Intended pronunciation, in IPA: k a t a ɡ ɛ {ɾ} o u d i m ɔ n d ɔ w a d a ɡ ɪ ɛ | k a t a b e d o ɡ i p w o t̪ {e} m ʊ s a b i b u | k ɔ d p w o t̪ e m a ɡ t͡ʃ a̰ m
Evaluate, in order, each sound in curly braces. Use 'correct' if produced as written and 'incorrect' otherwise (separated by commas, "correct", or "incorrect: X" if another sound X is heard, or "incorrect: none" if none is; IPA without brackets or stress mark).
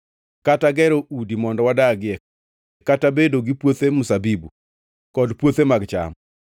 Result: correct, correct